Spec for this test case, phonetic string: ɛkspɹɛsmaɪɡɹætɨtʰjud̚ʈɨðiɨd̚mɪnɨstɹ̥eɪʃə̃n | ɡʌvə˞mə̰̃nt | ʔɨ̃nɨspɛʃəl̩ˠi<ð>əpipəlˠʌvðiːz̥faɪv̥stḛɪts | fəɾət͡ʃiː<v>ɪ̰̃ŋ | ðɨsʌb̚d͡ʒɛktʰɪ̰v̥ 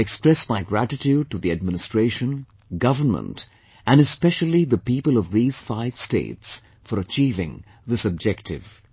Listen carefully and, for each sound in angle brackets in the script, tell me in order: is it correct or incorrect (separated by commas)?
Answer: correct, correct